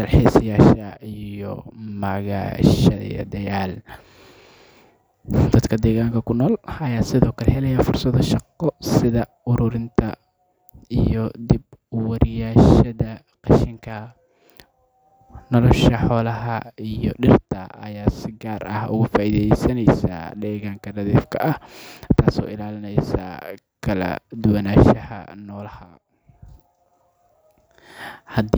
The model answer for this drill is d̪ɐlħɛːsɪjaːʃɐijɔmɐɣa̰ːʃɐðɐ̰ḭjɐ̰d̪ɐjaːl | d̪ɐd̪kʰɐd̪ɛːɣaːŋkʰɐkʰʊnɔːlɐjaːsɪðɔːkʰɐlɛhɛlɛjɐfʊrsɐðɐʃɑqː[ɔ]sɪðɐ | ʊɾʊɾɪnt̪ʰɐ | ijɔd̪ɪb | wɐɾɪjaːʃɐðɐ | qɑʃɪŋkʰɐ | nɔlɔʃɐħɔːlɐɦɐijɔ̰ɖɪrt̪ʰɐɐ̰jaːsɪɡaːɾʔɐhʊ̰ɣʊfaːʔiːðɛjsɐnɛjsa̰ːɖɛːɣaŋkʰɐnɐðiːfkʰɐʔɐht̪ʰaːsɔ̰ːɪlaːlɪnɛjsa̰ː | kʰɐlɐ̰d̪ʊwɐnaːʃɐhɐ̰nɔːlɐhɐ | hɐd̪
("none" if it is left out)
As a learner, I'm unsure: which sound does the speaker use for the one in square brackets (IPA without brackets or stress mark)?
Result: ɔ